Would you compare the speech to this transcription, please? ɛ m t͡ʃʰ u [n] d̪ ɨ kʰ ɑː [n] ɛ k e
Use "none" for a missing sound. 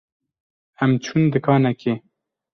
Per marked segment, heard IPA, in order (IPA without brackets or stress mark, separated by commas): n, n